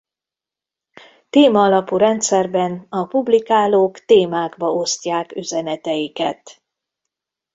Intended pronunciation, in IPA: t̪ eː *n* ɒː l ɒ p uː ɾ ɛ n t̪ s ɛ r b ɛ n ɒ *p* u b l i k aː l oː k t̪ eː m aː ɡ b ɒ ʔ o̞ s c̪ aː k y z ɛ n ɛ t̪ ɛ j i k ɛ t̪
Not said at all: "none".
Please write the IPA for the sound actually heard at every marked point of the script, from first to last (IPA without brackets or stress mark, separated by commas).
m, p